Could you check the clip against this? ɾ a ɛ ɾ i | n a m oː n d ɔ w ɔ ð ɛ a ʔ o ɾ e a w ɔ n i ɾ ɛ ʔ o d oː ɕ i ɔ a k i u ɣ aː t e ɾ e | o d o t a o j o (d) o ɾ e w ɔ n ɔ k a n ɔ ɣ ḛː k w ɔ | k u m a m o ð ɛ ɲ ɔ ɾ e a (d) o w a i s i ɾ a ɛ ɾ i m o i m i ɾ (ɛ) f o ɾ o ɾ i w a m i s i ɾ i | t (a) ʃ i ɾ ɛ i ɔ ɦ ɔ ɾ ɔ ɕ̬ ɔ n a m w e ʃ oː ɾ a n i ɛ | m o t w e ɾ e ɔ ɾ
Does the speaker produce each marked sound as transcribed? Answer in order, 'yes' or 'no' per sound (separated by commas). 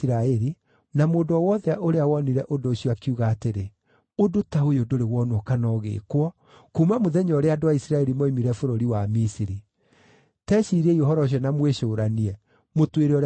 yes, yes, yes, no